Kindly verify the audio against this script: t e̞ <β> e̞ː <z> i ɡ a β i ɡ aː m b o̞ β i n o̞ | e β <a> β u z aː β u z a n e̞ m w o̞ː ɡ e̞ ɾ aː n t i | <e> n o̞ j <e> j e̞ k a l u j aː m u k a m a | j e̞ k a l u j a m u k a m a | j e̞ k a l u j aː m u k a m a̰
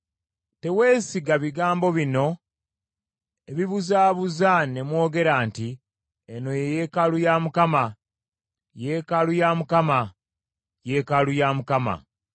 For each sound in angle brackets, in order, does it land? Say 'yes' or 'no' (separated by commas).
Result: no, no, no, yes, yes